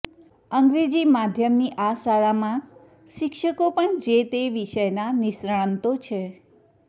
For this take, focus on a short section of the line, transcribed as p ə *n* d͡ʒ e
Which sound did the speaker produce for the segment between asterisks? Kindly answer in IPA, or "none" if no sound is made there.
ɳ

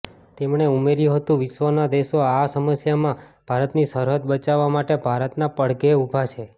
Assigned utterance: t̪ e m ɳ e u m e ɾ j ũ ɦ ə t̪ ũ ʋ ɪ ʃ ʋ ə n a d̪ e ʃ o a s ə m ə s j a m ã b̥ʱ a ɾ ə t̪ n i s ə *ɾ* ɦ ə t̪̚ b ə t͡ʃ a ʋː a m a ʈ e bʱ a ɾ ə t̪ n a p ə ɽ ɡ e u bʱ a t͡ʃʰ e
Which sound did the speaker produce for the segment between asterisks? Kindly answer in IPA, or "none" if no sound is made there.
ɾ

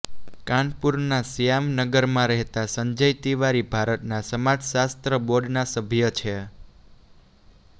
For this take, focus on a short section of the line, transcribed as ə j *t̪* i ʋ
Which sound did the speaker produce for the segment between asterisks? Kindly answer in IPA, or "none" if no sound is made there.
t̪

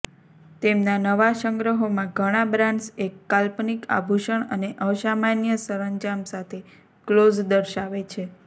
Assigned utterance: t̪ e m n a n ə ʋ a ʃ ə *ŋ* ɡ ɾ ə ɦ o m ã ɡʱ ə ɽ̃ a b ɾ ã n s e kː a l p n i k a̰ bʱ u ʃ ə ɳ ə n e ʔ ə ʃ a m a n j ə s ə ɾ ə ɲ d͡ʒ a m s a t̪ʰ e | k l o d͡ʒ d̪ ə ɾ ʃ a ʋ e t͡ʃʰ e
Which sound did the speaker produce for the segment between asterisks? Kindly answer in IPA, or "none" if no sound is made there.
ŋ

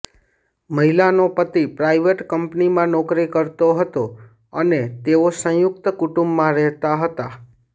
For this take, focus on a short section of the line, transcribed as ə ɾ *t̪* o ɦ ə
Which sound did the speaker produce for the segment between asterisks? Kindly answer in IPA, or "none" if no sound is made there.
t̪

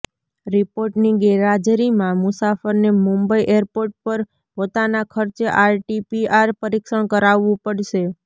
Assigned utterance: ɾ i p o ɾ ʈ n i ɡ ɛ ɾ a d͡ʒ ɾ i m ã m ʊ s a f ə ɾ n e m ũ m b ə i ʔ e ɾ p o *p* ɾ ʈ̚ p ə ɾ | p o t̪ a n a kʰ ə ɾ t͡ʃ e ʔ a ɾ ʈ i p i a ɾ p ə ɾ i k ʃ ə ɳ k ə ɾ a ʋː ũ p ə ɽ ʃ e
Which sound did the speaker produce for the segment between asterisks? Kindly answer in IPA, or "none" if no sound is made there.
none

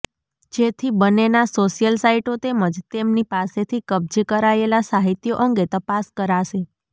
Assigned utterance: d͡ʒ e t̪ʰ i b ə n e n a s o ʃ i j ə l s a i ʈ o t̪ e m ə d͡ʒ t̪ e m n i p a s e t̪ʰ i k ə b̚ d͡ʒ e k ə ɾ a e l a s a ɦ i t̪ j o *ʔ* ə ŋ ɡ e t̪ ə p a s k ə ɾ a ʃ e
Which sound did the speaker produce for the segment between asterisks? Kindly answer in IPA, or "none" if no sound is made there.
ʔ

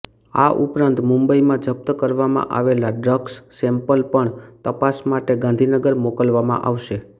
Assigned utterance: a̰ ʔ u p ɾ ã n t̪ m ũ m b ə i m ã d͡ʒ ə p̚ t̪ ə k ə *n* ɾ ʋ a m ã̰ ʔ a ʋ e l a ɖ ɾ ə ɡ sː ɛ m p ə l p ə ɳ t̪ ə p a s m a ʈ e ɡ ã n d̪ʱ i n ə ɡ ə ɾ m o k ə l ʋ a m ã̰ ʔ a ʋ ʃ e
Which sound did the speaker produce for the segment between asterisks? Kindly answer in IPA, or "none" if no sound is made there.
none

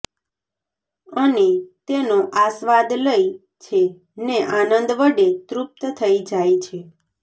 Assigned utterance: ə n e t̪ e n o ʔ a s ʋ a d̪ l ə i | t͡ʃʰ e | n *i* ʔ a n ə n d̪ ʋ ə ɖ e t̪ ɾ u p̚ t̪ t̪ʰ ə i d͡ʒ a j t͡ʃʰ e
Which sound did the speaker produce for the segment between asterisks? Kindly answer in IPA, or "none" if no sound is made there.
e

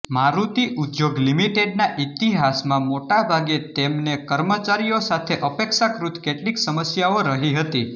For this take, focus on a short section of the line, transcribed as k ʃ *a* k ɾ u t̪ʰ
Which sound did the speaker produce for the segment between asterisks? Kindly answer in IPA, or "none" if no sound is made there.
a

